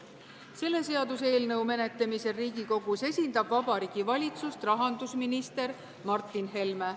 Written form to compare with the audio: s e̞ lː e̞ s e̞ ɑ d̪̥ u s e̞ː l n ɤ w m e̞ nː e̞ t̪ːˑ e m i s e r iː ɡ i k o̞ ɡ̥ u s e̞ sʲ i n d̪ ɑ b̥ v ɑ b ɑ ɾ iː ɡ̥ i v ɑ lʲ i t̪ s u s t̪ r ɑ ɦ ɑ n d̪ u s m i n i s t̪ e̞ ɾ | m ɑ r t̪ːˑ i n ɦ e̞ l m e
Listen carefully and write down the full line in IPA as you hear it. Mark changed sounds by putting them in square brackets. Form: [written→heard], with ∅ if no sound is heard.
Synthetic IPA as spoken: s e̞ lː e̞ s e̞ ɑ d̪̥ u s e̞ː l n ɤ w m e̞ [nː→n] e̞ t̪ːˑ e m i s e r iː ɡ i k o̞ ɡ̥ u s e̞ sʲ i n d̪ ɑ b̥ v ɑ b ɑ ɾ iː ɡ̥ i v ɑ lʲ i t̪ s u s t̪ r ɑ ɦ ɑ n d̪ u s m i n i s t̪ e̞ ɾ | m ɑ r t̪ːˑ i n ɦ e̞ l m e